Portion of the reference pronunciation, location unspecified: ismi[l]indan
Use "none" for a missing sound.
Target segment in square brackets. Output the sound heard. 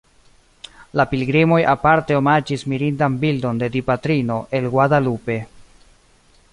ɾ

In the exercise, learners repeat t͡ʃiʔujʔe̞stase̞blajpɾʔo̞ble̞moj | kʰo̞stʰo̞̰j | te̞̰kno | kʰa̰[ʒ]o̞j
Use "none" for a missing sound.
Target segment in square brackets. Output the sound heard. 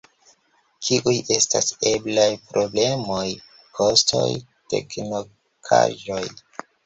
ʒ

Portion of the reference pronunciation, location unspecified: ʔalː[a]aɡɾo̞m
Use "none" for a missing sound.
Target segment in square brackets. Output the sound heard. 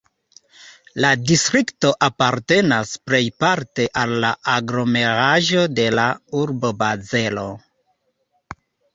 a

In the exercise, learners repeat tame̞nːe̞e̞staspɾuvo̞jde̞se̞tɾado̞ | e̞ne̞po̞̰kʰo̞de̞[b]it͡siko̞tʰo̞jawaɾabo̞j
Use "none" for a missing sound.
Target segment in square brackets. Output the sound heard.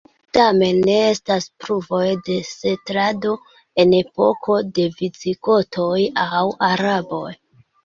v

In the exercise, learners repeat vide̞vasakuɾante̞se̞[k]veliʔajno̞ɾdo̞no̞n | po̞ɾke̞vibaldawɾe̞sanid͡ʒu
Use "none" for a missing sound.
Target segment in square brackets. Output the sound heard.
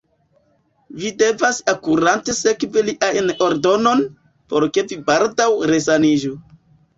k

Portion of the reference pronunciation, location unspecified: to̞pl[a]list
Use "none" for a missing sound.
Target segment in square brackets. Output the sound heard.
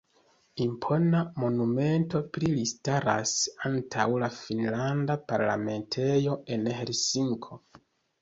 i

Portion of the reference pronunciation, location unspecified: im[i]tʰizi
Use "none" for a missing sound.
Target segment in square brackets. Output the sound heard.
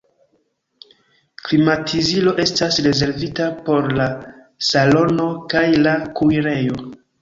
a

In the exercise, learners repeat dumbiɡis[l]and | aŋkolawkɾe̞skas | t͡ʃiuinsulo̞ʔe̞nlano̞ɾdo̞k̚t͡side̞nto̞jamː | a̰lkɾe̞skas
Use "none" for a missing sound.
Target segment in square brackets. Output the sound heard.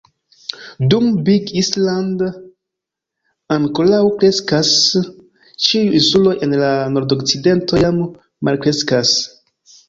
l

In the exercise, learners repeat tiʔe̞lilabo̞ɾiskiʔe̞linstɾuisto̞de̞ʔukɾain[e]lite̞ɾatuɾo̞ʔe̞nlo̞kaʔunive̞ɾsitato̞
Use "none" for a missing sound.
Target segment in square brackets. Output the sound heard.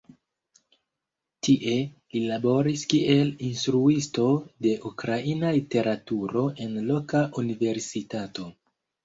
a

